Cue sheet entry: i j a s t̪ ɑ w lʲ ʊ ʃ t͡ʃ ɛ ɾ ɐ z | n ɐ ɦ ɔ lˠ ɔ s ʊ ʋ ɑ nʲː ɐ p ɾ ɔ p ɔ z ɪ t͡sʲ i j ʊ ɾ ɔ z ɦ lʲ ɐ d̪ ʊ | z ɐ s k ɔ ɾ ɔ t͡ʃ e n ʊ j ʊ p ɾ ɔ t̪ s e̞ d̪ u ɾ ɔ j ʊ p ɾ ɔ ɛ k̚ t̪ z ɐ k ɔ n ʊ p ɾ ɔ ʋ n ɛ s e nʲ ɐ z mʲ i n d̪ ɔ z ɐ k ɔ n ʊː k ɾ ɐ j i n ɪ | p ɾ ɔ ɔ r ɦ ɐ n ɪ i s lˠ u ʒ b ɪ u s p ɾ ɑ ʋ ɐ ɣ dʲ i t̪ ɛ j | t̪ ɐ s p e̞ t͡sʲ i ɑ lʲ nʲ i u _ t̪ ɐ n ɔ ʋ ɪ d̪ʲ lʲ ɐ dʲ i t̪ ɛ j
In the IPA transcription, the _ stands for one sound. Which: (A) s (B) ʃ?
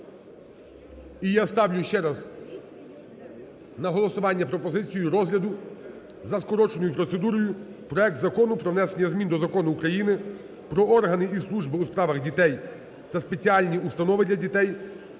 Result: A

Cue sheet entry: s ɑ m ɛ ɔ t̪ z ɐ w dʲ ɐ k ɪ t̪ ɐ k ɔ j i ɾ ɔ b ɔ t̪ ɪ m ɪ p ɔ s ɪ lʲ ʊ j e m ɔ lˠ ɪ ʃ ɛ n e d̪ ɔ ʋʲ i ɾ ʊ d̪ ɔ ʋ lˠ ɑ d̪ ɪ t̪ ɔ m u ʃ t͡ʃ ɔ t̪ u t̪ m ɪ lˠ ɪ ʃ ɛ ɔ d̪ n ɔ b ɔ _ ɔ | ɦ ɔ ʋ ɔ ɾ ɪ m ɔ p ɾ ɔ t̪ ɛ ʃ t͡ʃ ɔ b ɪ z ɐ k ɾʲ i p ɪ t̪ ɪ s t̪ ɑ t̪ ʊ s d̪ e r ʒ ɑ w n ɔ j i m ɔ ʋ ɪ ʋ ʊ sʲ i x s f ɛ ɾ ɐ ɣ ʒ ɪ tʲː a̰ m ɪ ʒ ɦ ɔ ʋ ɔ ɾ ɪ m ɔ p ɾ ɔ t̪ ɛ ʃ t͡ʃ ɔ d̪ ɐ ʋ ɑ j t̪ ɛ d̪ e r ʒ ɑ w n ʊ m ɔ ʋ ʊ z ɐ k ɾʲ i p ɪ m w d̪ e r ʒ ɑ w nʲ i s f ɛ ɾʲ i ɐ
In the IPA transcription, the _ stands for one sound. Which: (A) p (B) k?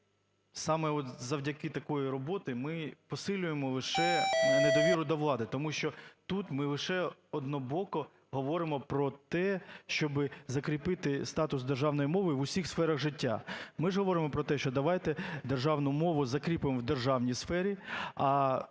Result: B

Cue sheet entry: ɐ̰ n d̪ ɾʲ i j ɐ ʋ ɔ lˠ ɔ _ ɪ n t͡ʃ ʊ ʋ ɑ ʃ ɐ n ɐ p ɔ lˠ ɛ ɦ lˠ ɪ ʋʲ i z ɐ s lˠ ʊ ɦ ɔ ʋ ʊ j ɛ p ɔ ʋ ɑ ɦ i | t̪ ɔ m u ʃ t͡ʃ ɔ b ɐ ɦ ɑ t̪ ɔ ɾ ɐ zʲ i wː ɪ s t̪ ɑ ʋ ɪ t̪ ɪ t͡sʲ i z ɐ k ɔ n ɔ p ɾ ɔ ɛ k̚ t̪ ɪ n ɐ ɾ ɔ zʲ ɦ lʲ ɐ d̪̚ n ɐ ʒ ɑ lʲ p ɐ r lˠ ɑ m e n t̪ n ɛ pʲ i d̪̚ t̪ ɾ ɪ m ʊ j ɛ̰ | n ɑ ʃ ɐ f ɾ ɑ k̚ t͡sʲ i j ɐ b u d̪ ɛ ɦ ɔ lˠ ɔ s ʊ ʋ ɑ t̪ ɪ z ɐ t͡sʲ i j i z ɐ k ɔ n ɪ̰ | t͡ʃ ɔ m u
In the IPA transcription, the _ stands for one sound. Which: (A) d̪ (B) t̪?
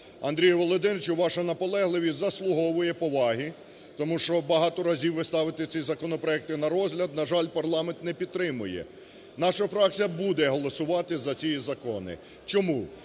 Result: A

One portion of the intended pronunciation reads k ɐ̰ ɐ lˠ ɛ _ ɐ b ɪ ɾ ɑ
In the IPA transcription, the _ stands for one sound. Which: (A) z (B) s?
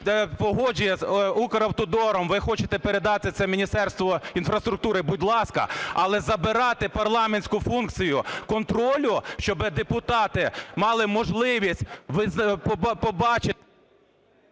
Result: A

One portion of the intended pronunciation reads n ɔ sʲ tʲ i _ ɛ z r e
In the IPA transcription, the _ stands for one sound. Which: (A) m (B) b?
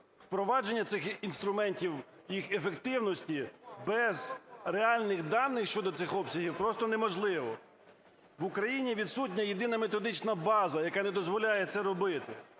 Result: B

